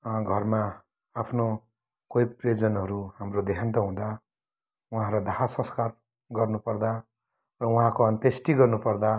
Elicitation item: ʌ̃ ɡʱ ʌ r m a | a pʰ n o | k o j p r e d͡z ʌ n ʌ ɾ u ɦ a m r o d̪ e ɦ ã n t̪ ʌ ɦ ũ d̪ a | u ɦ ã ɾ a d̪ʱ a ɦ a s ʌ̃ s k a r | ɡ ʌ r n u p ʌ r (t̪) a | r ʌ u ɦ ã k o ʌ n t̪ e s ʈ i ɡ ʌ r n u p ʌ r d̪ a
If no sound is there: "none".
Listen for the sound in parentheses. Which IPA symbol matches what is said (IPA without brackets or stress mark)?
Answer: d̪